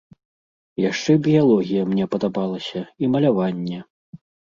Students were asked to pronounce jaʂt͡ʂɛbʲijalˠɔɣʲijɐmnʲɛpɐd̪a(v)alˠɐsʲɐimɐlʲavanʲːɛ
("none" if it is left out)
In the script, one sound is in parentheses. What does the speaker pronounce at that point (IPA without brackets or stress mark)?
b